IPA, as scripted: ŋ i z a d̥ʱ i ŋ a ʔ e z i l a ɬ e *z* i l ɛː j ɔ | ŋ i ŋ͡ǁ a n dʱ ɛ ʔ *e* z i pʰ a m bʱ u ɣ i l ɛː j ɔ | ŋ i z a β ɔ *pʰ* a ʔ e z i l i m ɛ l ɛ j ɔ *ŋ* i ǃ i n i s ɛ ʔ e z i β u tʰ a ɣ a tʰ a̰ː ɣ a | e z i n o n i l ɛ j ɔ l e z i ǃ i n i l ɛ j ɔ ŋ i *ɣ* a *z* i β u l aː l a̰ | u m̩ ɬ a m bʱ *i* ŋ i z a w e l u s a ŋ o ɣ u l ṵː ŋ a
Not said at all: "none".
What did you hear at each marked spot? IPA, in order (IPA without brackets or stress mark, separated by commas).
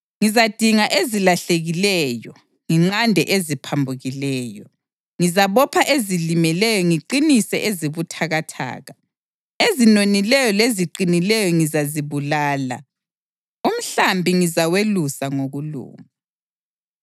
ɣ, e, pʰ, ŋ, z, z, i